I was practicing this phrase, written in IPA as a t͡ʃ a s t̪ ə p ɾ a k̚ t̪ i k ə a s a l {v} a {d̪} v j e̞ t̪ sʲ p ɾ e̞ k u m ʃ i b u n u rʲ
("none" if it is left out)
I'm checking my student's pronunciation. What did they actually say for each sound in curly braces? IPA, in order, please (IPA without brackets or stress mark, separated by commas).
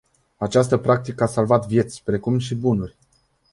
v, t̪